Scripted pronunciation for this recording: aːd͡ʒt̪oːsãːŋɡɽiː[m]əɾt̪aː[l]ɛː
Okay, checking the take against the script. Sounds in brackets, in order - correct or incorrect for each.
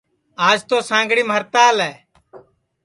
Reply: correct, correct

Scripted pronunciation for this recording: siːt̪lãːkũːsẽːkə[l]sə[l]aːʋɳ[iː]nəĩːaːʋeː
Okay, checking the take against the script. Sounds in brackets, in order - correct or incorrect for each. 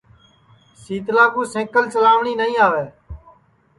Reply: correct, correct, correct

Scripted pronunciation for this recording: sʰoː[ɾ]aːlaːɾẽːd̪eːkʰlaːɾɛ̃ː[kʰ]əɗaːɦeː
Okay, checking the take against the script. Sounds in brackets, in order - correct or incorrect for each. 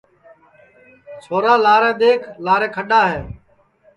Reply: correct, correct

